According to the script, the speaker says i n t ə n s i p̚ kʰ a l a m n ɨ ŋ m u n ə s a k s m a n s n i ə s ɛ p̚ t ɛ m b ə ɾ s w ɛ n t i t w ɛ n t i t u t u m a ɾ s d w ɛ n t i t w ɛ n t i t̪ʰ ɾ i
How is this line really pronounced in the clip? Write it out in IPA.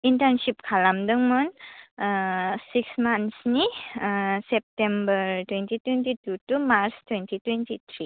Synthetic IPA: i n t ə n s i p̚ kʰ a l a m d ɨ ŋ m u n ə s i k s m a n s n i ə s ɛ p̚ t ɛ m b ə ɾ t w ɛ n t i t w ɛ n t i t u t u m a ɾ s t w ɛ n t i t w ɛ n t i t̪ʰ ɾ i